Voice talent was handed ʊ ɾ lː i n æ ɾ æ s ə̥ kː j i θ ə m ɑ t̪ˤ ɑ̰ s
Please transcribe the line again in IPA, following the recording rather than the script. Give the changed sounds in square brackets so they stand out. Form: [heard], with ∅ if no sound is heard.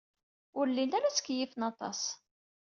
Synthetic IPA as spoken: ʊ ɾ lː i n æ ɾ æ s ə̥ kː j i [f] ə [n] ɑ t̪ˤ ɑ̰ s